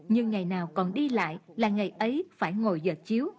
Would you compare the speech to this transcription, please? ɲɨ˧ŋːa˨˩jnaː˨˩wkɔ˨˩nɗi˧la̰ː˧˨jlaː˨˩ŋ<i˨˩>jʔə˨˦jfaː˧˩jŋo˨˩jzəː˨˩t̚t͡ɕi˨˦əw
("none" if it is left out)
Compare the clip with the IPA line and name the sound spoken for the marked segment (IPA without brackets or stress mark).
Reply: a˨˩